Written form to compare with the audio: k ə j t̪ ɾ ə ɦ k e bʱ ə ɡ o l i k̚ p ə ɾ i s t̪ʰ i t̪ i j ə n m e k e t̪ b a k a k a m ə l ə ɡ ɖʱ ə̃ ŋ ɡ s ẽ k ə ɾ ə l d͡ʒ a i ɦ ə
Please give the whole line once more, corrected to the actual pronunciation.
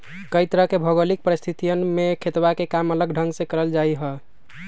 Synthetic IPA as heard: k ə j t̪ ɾ ə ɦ k e bʱ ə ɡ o l i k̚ p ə ɾ i s t̪ʰ i t̪ i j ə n m e kʰ e t̪ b a k e k a m ə l ə ɡ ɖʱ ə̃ ŋ ɡ s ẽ k ə ɾ ə l d͡ʒ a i ɦ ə